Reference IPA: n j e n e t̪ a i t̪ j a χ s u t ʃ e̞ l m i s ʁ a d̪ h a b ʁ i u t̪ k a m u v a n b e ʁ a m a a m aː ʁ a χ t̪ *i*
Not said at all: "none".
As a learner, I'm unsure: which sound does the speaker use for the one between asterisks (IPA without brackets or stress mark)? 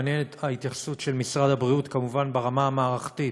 i